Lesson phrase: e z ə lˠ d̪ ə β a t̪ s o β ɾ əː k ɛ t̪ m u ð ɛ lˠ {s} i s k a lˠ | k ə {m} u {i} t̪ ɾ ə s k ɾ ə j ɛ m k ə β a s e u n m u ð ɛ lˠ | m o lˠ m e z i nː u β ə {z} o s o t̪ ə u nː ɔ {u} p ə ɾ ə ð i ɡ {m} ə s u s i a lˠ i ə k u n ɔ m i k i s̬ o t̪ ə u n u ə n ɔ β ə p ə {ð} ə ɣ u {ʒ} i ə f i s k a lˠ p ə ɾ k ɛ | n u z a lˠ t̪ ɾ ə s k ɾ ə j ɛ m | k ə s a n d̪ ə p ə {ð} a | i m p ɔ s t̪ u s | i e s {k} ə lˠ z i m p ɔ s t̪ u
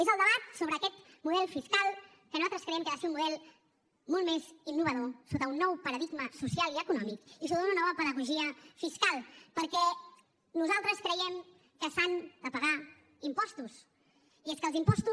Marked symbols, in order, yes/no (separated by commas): no, no, no, no, no, yes, yes, yes, no, yes